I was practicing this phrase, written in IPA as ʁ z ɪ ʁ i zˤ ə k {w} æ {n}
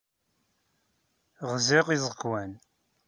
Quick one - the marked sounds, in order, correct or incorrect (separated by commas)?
correct, correct